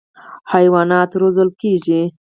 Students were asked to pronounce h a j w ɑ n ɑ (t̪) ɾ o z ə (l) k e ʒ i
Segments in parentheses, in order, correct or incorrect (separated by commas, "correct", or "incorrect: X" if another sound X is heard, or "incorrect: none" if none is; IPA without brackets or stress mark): correct, correct